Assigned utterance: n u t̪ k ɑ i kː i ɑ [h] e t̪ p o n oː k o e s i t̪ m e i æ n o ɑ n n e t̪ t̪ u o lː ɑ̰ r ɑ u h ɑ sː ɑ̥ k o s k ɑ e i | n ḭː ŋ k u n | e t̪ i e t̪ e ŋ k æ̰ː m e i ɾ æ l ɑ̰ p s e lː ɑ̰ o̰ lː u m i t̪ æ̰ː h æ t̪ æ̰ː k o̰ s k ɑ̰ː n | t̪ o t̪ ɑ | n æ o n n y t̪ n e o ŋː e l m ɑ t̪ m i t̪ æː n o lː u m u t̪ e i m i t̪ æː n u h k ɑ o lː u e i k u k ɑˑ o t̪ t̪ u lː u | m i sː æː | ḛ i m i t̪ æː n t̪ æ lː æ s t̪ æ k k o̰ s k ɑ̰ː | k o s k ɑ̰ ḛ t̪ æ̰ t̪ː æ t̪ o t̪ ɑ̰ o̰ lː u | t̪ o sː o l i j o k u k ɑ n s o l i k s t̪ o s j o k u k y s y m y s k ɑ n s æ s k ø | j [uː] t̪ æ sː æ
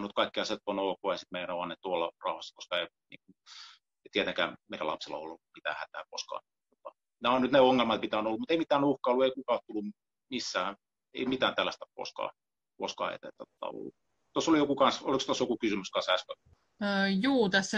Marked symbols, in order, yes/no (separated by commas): no, yes